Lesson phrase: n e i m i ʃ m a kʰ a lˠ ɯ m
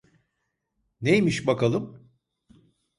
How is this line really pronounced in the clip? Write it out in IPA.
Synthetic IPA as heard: n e j m i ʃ b a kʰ a lˠ ɯ m